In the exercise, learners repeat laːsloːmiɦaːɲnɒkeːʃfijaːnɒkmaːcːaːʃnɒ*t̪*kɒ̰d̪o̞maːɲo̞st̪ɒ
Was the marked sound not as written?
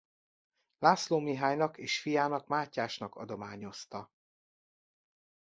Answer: yes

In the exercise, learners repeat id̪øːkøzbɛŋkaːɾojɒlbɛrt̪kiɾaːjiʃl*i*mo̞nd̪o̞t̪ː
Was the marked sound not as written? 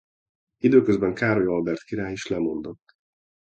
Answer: yes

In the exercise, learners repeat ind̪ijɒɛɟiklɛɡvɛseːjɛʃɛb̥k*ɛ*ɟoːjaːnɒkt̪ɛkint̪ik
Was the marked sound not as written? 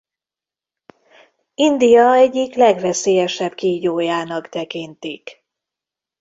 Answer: yes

